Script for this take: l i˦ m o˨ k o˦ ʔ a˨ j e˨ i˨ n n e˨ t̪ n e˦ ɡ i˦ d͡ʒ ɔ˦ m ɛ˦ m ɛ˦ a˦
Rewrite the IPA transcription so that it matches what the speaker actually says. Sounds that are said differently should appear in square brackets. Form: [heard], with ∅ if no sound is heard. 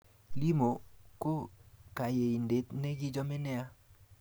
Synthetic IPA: l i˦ m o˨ k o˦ [k] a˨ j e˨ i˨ n [d] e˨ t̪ n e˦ ɡ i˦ d͡ʒ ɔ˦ m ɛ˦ [n] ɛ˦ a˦